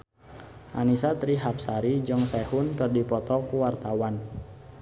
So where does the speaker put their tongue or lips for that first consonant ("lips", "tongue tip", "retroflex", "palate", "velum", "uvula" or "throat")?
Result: throat